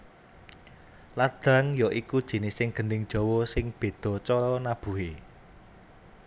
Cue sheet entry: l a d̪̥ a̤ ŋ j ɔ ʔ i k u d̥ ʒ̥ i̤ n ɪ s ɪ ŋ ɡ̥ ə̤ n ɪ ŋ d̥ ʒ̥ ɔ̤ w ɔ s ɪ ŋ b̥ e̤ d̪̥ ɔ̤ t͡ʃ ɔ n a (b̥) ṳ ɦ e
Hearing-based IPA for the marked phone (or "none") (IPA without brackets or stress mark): b̥